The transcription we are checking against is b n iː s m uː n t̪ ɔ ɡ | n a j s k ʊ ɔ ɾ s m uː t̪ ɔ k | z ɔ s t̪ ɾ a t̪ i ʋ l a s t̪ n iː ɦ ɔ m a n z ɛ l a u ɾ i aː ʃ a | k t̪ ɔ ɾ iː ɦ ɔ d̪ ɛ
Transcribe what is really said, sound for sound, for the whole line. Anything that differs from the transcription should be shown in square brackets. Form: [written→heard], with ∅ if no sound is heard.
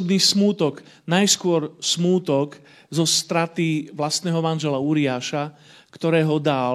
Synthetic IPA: b n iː s m uː [n→∅] t̪ ɔ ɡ | n a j s k ʊ ɔ ɾ s m uː t̪ ɔ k | z ɔ s t̪ ɾ a t̪ i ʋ l a s t̪ n [iː→ɛː] ɦ ɔ m a n [z→ʒ] ɛ l a u ɾ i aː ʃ a | k t̪ ɔ ɾ [iː→ɛː] ɦ ɔ d̪ [ɛ→a]